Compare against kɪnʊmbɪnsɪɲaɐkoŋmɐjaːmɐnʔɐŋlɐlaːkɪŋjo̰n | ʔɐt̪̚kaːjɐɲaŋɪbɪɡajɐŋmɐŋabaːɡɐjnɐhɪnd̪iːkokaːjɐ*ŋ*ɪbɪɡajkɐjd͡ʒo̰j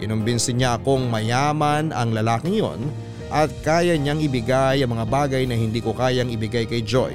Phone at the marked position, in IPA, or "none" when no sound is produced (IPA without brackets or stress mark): ŋ